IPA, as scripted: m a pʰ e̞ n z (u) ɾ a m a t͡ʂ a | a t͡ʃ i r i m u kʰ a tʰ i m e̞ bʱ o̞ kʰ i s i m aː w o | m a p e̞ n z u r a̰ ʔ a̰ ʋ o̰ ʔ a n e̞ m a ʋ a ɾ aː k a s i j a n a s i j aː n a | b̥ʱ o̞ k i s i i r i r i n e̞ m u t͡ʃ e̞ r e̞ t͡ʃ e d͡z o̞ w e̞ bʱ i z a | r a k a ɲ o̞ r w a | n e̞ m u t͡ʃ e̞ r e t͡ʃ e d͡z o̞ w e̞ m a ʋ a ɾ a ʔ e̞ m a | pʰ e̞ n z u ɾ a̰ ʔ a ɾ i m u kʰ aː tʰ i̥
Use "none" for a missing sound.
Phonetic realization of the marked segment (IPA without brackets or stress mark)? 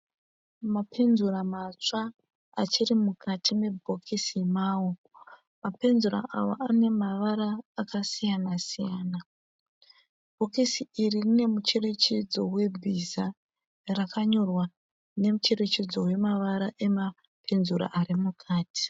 u